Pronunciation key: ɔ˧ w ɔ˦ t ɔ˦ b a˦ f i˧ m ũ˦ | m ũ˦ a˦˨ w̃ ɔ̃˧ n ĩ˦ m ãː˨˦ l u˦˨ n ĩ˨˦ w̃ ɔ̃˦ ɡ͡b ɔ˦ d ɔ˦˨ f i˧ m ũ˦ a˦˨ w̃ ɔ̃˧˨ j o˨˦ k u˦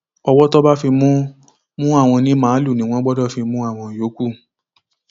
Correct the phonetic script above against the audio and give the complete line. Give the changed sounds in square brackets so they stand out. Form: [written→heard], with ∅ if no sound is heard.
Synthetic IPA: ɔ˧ w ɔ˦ t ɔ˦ b a˦ f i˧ m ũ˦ | m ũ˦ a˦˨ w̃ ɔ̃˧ n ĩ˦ m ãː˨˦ l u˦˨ n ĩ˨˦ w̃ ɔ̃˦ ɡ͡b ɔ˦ d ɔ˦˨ f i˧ m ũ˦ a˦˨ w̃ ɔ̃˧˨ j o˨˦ k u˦